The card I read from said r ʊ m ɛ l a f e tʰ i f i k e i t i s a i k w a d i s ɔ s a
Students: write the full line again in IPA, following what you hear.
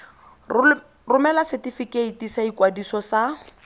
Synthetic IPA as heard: r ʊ m ɛ l a s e t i f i k e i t i s a i k w a d i s ɔ s a

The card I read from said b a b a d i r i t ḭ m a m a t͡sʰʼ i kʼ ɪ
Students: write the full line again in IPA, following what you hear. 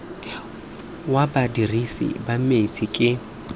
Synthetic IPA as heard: w a b a d i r i s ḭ b a m e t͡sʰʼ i kʼ ɪ

